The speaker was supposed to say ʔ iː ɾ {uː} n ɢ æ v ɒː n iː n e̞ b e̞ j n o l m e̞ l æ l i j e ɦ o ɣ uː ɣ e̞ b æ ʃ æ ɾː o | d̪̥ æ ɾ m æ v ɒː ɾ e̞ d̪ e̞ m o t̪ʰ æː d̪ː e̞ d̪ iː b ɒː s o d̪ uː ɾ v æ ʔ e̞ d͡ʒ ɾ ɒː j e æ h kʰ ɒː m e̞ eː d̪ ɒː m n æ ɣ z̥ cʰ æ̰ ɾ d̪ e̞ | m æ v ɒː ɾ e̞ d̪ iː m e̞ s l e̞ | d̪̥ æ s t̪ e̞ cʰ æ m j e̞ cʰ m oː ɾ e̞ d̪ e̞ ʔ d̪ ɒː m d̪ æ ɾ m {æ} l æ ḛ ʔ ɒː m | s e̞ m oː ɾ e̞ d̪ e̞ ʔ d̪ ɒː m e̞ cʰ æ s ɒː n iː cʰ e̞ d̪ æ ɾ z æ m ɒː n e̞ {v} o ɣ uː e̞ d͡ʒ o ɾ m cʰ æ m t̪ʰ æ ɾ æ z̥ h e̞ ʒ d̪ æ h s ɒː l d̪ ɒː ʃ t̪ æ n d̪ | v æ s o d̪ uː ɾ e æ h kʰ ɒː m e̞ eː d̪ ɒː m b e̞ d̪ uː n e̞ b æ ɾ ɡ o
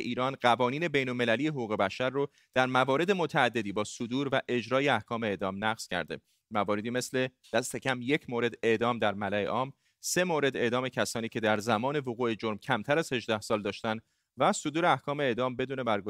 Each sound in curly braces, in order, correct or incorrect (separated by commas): incorrect, correct, correct